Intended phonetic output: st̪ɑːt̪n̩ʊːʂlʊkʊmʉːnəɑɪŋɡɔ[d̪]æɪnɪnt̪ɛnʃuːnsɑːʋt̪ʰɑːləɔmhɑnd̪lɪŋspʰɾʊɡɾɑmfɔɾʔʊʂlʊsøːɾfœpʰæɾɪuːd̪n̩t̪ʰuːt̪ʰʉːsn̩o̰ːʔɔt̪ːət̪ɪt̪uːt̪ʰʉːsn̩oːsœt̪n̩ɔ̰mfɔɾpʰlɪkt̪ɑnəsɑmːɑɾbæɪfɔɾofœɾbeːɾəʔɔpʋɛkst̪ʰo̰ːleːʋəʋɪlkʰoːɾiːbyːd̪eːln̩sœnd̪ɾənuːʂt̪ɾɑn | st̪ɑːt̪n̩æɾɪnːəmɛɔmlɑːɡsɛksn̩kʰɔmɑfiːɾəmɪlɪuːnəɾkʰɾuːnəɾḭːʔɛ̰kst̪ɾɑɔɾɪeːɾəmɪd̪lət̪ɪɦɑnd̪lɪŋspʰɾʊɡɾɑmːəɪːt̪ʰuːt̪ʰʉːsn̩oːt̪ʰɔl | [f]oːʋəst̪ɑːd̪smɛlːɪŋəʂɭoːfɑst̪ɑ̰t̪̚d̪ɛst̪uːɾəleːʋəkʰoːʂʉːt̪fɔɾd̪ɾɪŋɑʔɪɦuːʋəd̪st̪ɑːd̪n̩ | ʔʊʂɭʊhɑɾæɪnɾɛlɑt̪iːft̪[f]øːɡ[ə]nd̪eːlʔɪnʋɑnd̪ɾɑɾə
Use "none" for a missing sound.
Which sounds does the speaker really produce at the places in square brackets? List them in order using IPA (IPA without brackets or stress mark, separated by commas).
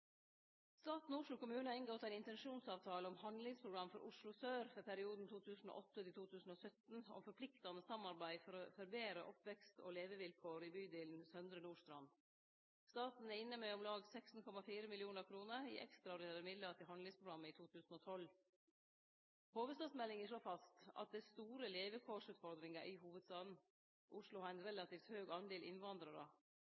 t̪, h, h, ɑ